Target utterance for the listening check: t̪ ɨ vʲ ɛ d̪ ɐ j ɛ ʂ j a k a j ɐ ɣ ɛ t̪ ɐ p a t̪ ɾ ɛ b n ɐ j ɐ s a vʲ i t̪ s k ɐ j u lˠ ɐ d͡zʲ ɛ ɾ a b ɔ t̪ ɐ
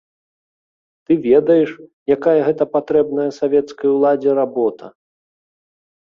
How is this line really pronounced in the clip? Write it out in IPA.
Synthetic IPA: t̪ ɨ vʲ ɛ d̪ ɐ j ɛ ʂ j a k a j ɐ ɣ ɛ t̪ ɐ p a t̪ ɾ ɛ b n ɐ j ɐ s a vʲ ɛ t̪ s k ɐ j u lˠ a d͡zʲ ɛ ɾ a b ɔ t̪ ɐ